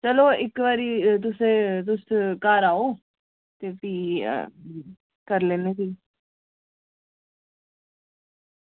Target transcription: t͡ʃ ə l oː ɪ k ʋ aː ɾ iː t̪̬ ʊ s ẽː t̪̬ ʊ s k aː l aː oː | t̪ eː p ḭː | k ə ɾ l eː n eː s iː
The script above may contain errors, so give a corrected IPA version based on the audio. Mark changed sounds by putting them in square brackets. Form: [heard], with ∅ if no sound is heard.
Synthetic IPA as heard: t͡ʃ ə l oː ɪ k ʋ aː ɾ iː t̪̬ ʊ s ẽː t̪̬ ʊ s k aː [ɾ] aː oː | t̪ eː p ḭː | k ə ɾ l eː n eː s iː

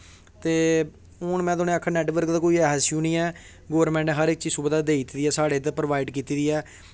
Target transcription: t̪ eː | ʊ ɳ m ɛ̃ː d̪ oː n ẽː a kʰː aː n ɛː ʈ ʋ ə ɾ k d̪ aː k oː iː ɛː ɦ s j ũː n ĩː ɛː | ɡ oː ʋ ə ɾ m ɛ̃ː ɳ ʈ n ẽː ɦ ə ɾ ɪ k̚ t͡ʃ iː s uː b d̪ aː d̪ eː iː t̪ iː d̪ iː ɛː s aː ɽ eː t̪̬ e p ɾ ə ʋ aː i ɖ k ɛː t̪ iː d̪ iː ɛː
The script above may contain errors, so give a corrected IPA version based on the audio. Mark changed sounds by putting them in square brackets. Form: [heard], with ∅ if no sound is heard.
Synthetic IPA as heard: t̪ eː | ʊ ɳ m ɛ̃ː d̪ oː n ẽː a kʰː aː n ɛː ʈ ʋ ə ɾ k d̪ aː k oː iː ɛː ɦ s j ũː n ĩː ɛː | ɡ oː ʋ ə ɾ m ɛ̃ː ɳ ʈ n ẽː ɦ ə ɾ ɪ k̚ t͡ʃ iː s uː b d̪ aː d̪ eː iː t̪ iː d̪ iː ɛː s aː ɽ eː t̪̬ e p ɾ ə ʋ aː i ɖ k [iː] t̪ iː d̪ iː ɛː

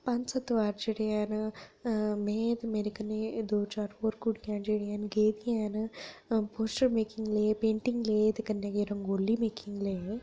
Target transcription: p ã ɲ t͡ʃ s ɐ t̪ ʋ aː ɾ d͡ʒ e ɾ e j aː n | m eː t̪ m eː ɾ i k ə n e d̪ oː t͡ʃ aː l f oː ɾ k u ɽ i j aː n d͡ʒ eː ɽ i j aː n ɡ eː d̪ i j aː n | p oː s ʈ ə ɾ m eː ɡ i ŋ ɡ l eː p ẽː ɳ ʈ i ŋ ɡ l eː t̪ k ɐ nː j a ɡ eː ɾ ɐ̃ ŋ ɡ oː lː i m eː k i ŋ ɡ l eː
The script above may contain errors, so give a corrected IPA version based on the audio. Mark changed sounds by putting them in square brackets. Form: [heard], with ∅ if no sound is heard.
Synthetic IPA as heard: p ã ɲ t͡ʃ s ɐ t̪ ʋ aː ɾ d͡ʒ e [ɽ] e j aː n | m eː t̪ m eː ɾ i k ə n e d̪ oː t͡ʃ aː [ɾ] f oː ɾ k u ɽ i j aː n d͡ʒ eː ɽ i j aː n ɡ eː d̪ i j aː n | p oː s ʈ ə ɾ m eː [k] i ŋ ɡ l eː p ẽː ɳ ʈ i ŋ ɡ l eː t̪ k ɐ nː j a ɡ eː ɾ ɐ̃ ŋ ɡ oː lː i m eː k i ŋ ɡ l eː

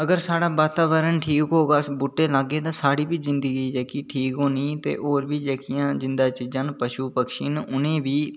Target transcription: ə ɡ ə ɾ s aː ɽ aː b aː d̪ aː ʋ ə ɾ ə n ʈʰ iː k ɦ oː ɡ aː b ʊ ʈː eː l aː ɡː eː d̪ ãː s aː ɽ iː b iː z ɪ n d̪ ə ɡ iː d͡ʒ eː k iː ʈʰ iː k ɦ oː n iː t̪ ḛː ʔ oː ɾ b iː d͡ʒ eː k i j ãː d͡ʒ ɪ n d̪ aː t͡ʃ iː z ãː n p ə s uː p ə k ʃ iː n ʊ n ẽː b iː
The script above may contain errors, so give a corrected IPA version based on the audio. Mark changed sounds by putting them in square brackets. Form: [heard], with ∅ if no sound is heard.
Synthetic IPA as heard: ə ɡ ə ɾ s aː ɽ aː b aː [t̪] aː ʋ ə ɾ ə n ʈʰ iː k ɦ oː ɡ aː b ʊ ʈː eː l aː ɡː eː [t̪] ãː s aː ɽ iː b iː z ɪ n d̪ ə ɡ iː d͡ʒ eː k iː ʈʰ iː k ɦ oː n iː t̪ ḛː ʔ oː ɾ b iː d͡ʒ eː k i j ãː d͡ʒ ɪ n d̪ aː t͡ʃ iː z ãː n p ə [ʃ] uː p ə k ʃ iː n ʊ n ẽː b iː

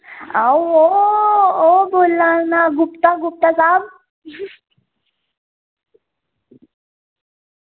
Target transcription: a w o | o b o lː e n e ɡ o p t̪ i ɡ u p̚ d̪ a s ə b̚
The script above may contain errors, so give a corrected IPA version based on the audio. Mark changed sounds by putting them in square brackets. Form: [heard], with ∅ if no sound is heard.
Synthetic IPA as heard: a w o | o b o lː [a] n [a] ɡ [u] p t̪ [a] ɡ u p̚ [t̪] a s [a] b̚

